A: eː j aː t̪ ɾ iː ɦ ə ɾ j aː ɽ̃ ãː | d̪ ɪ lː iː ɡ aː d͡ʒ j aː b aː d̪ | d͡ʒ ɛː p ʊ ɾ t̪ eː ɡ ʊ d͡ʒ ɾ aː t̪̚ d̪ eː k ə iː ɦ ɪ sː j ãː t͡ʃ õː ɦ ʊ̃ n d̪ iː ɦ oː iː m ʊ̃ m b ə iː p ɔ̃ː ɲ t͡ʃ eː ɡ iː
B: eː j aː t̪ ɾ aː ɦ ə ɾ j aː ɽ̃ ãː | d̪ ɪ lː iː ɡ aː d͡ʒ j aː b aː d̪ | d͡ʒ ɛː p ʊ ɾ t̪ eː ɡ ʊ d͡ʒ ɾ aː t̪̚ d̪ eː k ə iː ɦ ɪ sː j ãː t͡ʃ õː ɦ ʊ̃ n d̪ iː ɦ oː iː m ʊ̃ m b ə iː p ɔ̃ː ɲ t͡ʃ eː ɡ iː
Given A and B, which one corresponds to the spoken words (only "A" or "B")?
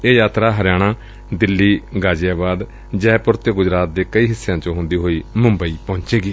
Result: B